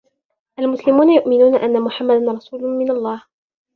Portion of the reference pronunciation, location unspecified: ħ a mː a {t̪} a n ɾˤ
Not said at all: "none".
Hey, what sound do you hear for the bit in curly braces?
d̪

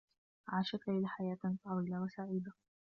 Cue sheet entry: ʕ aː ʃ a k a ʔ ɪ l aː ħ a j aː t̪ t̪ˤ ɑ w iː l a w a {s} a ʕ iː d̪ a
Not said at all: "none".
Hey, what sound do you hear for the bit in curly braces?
s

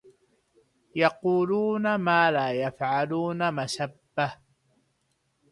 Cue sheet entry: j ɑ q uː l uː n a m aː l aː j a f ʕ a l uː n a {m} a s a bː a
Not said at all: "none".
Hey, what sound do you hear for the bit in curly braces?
m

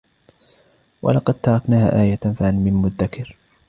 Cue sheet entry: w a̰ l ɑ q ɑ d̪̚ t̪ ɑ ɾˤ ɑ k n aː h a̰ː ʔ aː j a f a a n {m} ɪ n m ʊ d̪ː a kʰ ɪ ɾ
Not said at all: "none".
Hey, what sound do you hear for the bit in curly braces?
m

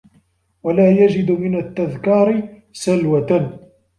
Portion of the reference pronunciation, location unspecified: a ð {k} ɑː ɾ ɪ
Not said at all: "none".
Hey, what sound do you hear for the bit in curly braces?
k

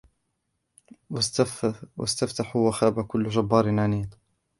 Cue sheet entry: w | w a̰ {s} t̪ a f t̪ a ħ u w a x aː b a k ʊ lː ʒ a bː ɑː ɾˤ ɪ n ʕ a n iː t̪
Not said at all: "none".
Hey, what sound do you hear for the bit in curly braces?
s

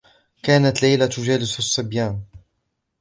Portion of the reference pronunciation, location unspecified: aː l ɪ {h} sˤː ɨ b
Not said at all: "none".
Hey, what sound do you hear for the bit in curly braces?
s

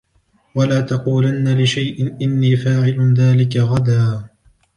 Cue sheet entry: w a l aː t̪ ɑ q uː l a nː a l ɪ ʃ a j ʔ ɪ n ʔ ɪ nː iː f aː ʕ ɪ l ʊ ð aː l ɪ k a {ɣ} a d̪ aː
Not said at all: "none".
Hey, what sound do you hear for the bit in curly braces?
ɣ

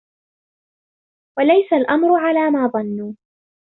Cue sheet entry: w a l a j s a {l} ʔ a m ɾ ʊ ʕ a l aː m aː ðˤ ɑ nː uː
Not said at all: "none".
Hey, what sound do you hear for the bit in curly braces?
l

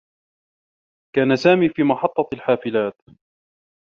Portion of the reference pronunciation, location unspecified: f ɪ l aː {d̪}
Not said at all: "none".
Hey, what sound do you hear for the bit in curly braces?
t̪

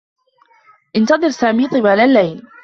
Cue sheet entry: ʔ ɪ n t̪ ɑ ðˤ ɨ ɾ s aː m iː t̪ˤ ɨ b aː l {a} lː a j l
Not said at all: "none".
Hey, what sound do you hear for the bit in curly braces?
a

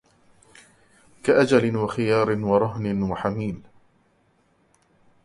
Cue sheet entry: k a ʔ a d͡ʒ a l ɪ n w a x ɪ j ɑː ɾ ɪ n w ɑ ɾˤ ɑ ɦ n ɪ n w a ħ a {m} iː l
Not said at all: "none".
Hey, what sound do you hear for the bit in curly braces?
m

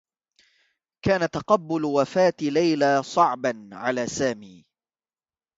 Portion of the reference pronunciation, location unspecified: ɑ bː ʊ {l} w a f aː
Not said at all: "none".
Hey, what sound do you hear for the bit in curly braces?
l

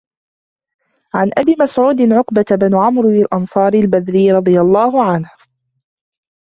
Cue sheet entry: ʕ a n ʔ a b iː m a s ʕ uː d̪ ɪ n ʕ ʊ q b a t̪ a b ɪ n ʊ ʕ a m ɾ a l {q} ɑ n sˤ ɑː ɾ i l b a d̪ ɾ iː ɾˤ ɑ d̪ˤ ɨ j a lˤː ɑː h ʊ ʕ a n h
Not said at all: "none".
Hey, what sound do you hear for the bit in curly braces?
ʔ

